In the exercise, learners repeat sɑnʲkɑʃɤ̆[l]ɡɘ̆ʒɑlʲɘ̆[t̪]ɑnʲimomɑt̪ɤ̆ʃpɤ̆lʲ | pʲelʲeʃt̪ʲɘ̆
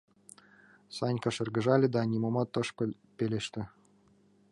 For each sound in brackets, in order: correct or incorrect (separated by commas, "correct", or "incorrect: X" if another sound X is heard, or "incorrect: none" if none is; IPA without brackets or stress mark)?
incorrect: r, incorrect: d̪